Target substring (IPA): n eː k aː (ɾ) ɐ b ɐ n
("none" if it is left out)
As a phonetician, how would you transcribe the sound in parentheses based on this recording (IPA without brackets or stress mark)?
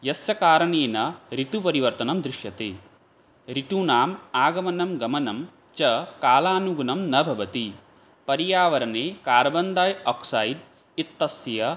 ɾ